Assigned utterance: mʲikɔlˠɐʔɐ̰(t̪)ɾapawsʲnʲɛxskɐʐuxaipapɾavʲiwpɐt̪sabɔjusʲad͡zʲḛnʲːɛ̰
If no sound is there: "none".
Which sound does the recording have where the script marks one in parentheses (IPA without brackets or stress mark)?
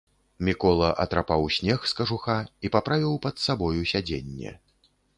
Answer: t̪